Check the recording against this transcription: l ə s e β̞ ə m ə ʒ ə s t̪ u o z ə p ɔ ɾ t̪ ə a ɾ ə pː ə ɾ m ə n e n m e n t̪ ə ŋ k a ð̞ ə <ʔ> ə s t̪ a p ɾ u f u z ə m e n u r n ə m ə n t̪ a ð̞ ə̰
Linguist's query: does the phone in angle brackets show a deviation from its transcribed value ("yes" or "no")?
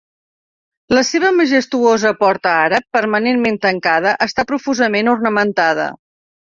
no